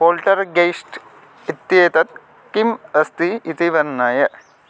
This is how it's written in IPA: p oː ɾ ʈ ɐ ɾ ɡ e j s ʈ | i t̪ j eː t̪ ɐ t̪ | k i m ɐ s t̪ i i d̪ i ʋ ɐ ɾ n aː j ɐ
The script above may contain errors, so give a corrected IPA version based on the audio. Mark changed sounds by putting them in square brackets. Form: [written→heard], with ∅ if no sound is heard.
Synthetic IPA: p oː [ɾ→l] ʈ ɐ ɾ ɡ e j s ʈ | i t̪ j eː t̪ ɐ t̪ | k i m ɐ s t̪ i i [d̪→t̪] i ʋ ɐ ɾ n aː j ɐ

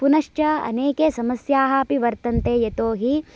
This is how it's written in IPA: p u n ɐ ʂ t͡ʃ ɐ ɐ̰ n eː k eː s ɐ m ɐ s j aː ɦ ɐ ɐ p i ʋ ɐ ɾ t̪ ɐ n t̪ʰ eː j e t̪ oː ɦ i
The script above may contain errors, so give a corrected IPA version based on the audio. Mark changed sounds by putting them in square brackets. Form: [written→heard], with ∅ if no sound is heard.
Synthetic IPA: p u n ɐ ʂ t͡ʃ ɐ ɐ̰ n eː k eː s ɐ m ɐ s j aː ɦ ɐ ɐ p i ʋ ɐ ɾ t̪ ɐ n [t̪ʰ→t̪] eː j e t̪ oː ɦ i

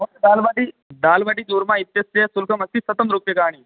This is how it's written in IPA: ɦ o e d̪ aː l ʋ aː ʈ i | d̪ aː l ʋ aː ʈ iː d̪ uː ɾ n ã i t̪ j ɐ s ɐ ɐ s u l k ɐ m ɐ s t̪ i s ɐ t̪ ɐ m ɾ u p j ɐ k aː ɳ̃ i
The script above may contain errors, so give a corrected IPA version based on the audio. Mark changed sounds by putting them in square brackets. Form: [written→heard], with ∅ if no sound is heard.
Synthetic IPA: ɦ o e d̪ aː l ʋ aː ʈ i | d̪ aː l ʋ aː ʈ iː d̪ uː ɾ [n→m] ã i t̪ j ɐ s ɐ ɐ s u l k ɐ m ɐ s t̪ i s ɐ t̪ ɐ m ɾ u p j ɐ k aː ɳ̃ i

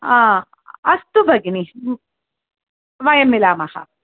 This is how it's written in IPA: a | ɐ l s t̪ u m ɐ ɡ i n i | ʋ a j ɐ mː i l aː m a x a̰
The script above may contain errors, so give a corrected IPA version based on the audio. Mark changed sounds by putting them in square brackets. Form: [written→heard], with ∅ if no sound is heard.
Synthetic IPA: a | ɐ [l→∅] s t̪ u [m→b] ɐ ɡ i n i | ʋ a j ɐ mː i l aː m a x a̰

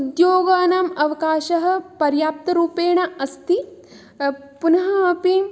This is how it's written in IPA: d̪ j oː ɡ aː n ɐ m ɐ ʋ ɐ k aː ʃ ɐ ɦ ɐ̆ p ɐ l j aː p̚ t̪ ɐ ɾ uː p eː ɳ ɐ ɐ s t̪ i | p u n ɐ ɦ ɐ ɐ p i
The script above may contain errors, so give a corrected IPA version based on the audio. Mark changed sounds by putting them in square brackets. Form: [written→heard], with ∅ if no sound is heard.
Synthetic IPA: d̪ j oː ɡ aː n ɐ m ɐ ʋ ɐ k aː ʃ ɐ ɦ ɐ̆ p ɐ [l→ɾ] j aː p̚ t̪ ɐ ɾ uː p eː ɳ ɐ ɐ s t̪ i | p u n ɐ ɦ ɐ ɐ p i

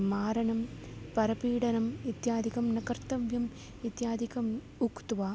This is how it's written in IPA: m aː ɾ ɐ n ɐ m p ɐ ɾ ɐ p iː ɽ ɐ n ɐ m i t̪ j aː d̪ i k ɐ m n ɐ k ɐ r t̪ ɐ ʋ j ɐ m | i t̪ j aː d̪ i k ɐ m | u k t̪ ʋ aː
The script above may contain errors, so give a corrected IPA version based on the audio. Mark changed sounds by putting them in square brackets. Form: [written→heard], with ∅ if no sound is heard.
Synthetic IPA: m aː ɾ ɐ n ɐ m p ɐ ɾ ɐ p iː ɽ ɐ n ɐ m i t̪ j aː d̪ i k ɐ m n ɐ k ɐ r t̪ ɐ ʋ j ɐ m | i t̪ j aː d̪ i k ɐ m | u k t̪ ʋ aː

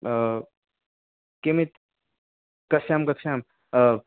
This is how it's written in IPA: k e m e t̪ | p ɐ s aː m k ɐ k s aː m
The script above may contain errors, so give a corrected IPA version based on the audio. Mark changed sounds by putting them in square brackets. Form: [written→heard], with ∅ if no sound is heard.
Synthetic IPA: k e m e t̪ | [p→k] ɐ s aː m k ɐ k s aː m

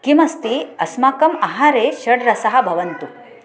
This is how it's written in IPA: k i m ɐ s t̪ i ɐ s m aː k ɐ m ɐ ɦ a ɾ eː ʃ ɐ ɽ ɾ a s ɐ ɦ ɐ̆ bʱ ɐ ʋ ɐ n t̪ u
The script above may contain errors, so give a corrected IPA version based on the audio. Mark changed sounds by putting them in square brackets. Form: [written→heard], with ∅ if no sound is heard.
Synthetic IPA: k i m ɐ s t̪ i ɐ s m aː k ɐ m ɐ ɦ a ɾ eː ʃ ɐ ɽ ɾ [a→ɐ] s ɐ ɦ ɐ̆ bʱ ɐ ʋ ɐ n t̪ u

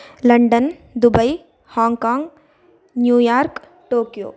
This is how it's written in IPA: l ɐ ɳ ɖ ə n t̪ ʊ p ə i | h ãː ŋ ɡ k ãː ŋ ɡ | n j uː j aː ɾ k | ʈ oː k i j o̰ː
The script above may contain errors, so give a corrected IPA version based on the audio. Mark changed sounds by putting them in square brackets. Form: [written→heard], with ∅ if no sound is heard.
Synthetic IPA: l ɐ ɳ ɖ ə n [t̪→d̪] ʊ [p→b] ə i | h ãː ŋ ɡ k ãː ŋ ɡ | n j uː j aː ɾ k | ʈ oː k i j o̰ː

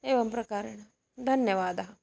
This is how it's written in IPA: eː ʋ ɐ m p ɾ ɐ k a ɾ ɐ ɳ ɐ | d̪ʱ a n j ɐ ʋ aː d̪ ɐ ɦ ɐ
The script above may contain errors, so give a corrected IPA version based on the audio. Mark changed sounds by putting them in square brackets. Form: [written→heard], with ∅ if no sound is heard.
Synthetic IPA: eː ʋ ɐ m p ɾ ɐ k a ɾ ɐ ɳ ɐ | d̪ʱ [a→ɐ] n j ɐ ʋ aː d̪ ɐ ɦ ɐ

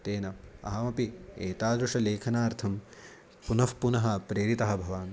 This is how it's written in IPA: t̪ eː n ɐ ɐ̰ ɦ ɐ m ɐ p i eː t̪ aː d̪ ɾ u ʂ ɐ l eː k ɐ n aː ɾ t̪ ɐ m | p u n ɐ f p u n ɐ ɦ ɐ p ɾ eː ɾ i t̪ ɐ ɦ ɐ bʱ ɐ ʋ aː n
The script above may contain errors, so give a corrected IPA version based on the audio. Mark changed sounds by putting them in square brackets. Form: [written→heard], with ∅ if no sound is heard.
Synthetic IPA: t̪ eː n ɐ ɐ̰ ɦ ɐ m ɐ p i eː t̪ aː d̪ ɾ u ʂ ɐ l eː [k→kʰ] ɐ n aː ɾ [t̪→t̪ʰ] ɐ m | p u n ɐ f p u n ɐ ɦ ɐ p ɾ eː ɾ i t̪ ɐ ɦ ɐ bʱ ɐ ʋ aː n

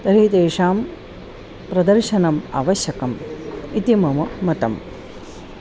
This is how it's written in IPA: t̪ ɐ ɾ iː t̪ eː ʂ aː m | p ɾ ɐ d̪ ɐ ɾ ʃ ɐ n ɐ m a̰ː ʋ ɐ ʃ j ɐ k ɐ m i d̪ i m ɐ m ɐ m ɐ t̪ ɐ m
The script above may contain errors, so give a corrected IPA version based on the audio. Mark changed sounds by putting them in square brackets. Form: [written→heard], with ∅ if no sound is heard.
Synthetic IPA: t̪ ɐ ɾ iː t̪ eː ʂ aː m | p ɾ ɐ d̪ ɐ ɾ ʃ ɐ n ɐ m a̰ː ʋ ɐ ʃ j ɐ k ɐ m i [d̪→t̪] i m ɐ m ɐ m ɐ t̪ ɐ m

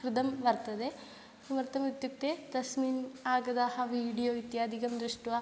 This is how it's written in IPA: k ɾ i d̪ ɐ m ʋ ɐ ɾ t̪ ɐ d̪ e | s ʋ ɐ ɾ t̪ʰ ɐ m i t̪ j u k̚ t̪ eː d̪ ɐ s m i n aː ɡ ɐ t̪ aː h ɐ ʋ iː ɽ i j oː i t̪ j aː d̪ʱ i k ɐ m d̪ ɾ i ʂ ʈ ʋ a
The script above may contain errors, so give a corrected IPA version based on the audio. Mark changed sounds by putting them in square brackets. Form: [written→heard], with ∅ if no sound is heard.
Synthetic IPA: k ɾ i d̪ ɐ m ʋ ɐ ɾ t̪ ɐ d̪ e | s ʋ ɐ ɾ [t̪ʰ→t̪] ɐ m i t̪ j u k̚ t̪ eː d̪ ɐ s m i n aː ɡ ɐ [t̪→d̪] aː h ɐ ʋ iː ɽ i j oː i t̪ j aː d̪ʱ i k ɐ m d̪ ɾ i ʂ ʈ ʋ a

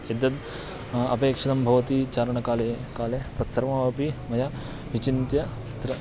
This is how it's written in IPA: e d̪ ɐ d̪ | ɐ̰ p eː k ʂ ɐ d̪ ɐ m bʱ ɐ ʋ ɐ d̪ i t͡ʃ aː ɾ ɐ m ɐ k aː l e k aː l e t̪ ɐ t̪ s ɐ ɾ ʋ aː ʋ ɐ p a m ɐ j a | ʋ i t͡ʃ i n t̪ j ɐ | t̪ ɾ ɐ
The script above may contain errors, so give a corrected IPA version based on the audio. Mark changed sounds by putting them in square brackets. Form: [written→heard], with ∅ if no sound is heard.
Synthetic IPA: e d̪ ɐ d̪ | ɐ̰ p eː k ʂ ɐ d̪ ɐ m bʱ ɐ ʋ ɐ [d̪→t̪] i t͡ʃ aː ɾ ɐ [m→ɳ] ɐ k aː l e k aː l e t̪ ɐ t̪ s ɐ ɾ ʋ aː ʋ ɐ p [a→i] m ɐ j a | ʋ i t͡ʃ i n t̪ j ɐ | t̪ ɾ ɐ

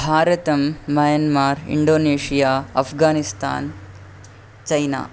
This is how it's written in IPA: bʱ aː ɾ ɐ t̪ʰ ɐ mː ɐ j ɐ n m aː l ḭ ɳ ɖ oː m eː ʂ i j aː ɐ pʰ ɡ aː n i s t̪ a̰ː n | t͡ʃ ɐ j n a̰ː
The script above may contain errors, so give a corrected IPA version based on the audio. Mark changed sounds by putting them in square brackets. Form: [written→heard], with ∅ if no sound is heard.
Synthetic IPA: bʱ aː ɾ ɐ [t̪ʰ→t̪] ɐ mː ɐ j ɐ n m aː [l→ɾ] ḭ ɳ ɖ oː [m→n] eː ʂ i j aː ɐ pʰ ɡ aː n i s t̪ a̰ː n | t͡ʃ ɐ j n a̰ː

